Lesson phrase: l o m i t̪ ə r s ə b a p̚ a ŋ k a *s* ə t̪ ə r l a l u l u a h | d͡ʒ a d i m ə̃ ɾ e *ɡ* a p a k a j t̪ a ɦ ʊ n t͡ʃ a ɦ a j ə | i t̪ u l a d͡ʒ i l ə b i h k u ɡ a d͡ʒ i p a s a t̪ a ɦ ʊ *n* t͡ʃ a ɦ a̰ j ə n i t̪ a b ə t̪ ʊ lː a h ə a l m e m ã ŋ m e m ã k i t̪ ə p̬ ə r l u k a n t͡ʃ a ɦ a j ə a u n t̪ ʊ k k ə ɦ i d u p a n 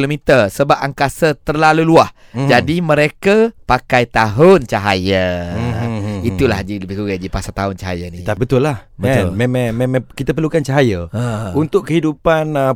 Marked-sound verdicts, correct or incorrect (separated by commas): correct, incorrect, correct